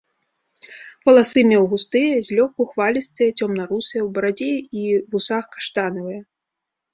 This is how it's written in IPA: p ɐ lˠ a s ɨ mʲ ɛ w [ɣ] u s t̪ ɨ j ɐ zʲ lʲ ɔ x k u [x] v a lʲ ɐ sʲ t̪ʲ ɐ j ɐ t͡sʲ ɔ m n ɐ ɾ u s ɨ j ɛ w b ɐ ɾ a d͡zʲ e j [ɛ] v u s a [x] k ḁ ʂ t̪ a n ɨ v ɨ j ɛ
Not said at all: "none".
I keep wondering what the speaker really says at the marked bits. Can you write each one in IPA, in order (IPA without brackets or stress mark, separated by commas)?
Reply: ɣ, x, i, x